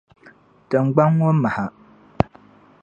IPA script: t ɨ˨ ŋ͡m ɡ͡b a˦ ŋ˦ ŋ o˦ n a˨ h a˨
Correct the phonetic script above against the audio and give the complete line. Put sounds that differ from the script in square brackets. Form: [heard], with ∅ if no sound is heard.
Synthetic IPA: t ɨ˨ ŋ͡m ɡ͡b a˦ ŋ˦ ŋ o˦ [m] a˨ h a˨